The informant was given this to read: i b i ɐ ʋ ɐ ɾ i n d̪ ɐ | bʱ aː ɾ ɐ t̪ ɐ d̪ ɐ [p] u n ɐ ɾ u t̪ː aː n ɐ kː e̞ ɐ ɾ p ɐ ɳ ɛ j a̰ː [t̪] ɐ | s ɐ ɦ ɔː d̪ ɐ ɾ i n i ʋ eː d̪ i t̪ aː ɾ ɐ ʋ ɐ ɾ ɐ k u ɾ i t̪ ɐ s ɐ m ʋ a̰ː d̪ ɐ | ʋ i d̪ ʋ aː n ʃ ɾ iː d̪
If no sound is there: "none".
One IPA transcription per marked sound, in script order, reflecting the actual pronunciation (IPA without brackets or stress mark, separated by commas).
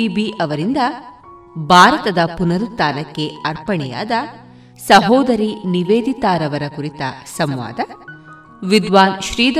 p, d̪